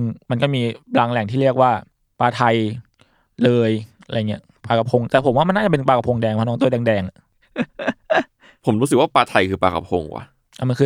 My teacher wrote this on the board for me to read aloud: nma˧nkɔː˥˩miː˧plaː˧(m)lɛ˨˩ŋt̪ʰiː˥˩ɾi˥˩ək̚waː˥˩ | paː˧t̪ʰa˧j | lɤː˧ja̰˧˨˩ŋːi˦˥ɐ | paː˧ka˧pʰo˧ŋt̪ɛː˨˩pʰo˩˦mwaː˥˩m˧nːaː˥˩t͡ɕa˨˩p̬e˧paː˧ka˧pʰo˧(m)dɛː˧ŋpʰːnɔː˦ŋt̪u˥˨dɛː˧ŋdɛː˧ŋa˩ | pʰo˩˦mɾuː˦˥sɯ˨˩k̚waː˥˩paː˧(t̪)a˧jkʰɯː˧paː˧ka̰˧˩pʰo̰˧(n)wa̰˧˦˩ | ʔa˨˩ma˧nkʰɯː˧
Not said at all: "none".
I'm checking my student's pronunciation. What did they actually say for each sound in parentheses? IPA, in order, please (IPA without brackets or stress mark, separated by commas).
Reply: ŋ, ŋ, t̪ʰ, ŋ